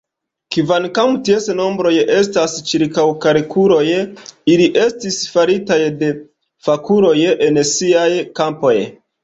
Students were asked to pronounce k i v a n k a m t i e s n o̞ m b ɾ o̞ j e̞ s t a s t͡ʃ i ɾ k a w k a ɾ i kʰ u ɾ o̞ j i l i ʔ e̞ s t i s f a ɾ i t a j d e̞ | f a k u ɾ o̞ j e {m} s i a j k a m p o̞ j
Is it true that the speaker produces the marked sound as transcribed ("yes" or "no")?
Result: no